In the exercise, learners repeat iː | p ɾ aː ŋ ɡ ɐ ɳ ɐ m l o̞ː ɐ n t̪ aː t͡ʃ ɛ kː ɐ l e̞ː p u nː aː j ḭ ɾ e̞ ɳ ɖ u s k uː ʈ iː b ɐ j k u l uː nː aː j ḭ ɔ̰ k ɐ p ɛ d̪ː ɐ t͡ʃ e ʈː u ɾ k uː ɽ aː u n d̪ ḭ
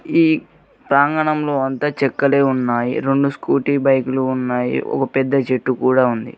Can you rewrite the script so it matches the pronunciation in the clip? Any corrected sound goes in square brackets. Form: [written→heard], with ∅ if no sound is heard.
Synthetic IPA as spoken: iː | p ɾ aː ŋ ɡ ɐ ɳ ɐ m l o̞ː ɐ n t̪ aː t͡ʃ ɛ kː ɐ l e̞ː [p→∅] u nː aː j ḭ ɾ e̞ ɳ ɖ u s k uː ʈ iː b ɐ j k u l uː nː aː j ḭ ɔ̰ k ɐ p ɛ d̪ː ɐ t͡ʃ e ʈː u [ɾ→∅] k uː ɽ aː u n d̪ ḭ